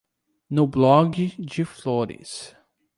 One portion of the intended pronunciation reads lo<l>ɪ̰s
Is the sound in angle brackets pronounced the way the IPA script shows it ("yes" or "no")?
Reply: no